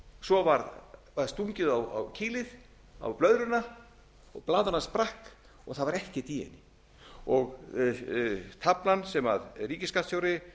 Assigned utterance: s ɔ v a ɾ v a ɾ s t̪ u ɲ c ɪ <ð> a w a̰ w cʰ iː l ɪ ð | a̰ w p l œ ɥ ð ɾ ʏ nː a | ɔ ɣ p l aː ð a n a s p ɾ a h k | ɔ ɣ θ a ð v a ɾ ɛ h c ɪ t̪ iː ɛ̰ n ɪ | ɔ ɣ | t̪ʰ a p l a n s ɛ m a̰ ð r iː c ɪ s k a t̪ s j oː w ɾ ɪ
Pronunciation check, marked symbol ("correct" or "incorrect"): correct